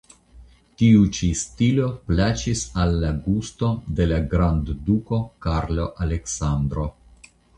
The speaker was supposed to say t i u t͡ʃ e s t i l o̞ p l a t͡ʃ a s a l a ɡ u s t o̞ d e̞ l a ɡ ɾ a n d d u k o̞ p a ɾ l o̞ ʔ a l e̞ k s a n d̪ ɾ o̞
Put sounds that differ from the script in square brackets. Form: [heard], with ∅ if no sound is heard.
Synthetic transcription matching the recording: t i u t͡ʃ [i] s t i l o̞ p l a t͡ʃ [i] s a [lː] a ɡ u s t o̞ d e̞ l a ɡ ɾ a n d d u k o̞ [k] a ɾ l o̞ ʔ a l e̞ k s a n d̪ ɾ o̞